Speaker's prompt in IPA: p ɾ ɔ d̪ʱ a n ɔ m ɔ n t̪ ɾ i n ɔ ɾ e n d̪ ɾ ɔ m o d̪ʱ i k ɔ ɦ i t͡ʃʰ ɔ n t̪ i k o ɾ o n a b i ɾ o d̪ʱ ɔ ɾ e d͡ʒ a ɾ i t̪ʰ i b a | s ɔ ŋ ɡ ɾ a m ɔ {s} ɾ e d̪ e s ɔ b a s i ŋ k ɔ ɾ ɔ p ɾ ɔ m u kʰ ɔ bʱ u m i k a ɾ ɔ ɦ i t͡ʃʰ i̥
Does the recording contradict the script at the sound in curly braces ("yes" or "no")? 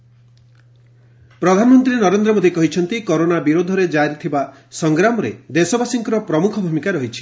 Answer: yes